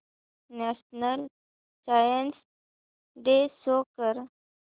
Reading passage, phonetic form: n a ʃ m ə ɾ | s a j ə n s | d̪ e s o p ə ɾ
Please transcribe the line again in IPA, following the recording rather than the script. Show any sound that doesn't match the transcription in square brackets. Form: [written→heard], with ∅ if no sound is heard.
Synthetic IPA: n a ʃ [m→n] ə [ɾ→l] | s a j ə n s | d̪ e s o [p→k] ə ɾ